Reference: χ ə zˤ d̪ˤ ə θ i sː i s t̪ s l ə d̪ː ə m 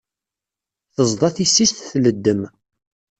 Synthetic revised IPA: θ ə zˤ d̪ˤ ɑ θ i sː i s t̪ θ l ə d̪ː ə m